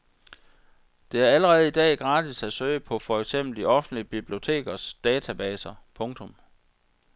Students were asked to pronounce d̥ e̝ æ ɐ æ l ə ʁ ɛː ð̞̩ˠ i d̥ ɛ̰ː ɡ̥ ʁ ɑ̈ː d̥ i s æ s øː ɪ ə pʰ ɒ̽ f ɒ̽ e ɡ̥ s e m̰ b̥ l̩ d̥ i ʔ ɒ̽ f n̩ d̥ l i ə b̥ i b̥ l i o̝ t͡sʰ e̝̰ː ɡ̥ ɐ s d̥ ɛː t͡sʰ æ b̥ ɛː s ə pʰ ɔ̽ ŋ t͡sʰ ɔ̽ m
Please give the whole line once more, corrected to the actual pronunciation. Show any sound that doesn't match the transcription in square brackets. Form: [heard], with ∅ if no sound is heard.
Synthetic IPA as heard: d̥ e̝ æ ɐ æ l ə ʁ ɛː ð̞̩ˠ i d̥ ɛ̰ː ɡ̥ ʁ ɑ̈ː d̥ i s æ s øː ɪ ə pʰ ɒ̽ f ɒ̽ e ɡ̥ s e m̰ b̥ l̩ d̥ i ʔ ɒ̽ f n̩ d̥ l i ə b̥ i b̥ l i o̝ t͡sʰ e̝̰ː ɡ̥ ɐ s d̥ ɛː t͡sʰ æ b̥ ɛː s [ɐ] pʰ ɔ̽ ŋ t͡sʰ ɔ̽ m